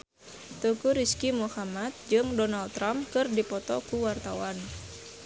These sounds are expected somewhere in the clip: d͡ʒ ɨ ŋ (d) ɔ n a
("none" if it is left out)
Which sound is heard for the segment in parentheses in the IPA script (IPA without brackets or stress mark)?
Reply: d